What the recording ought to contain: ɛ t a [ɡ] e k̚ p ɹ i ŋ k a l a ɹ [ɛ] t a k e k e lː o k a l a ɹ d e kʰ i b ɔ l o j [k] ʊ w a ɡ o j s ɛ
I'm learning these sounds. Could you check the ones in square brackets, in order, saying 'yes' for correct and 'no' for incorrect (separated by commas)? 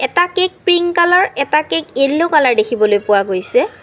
no, yes, no